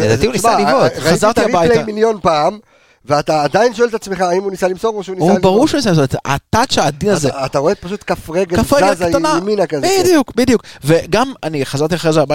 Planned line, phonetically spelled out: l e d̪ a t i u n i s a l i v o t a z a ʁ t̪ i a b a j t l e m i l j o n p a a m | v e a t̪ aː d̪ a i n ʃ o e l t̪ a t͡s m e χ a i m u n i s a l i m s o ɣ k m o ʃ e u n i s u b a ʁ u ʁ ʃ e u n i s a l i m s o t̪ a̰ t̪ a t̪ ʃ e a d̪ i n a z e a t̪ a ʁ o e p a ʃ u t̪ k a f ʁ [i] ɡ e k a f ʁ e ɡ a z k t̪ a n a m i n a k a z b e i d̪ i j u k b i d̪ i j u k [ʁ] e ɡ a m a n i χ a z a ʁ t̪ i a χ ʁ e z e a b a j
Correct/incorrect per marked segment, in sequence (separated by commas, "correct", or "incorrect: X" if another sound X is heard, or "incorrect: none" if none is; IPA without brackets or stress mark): incorrect: e, incorrect: v